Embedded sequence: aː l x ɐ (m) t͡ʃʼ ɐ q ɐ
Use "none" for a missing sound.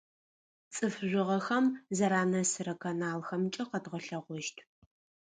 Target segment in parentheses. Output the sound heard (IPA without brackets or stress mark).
m